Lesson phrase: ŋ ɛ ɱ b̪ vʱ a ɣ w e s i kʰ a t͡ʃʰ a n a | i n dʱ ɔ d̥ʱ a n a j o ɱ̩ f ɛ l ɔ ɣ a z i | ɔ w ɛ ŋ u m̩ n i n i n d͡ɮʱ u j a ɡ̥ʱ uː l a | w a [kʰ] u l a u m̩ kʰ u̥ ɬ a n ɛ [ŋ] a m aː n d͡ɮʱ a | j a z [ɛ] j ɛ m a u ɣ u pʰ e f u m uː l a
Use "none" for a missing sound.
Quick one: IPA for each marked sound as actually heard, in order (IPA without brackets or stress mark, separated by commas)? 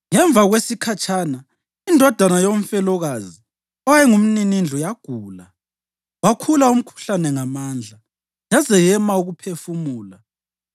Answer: kʰ, ŋ, ɛ